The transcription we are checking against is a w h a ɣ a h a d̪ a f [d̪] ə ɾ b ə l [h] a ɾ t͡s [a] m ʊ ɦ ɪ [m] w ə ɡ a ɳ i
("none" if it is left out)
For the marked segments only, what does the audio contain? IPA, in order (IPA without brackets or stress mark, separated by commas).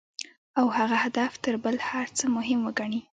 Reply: t̪, h, ə, m